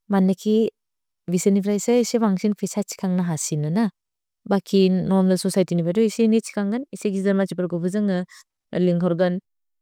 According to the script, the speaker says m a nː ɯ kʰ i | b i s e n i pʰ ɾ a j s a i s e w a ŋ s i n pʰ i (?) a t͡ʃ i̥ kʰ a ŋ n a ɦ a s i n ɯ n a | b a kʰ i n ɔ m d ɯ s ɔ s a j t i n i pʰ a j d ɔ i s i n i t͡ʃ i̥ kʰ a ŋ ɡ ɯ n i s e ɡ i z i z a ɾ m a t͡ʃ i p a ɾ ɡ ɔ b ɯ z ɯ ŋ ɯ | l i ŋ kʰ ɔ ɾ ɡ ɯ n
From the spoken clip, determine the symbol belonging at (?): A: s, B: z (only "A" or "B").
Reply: A